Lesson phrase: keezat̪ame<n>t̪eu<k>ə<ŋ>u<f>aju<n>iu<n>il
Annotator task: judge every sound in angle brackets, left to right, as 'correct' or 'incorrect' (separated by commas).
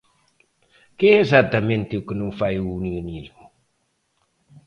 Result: correct, correct, incorrect, correct, correct, correct